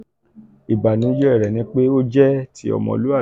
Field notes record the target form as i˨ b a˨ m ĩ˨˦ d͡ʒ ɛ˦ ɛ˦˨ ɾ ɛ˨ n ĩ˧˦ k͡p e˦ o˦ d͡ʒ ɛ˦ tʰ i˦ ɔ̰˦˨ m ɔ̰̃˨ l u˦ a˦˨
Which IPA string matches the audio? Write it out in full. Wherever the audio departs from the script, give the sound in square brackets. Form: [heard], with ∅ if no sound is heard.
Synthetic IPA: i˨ b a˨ [n] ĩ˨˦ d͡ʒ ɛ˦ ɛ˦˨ ɾ ɛ˨ n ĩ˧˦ k͡p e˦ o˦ d͡ʒ ɛ˦ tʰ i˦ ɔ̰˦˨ m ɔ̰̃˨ l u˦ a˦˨